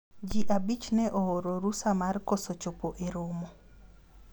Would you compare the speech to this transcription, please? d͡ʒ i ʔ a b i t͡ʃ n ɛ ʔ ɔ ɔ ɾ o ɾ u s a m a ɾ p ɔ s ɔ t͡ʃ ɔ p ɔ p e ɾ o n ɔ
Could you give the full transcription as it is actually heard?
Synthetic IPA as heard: d͡ʒ i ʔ a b i t͡ʃ n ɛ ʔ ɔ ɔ ɾ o ɾ u s a m a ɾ k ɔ s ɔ t͡ʃ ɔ p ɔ ʔ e ɾ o m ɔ